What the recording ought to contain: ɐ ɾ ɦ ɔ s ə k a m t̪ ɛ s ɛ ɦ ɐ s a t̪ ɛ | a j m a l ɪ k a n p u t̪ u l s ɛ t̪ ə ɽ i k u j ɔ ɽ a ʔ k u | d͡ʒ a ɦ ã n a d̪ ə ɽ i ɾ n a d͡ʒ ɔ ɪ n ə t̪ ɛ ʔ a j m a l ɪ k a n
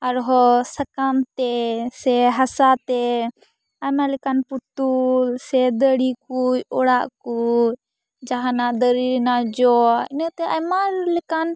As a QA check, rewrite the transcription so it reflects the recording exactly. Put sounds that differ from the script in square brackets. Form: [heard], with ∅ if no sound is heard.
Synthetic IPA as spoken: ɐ ɾ ɦ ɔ s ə k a m t̪ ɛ s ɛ ɦ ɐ s a t̪ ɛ | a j m a l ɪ k a n p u t̪ u l s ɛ [d̪] ə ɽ i k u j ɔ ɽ a ʔ k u | d͡ʒ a ɦ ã n a d̪ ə [ɾ] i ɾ n a d͡ʒ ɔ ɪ n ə t̪ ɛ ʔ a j m a l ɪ k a n